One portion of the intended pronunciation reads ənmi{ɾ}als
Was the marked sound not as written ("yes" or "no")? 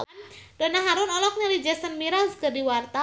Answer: no